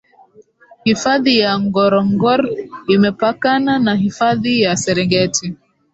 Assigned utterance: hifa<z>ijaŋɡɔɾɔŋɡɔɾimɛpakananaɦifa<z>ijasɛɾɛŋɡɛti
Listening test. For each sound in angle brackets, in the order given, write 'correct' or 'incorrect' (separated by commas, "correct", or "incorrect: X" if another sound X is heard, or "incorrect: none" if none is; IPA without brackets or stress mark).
incorrect: ð, incorrect: ð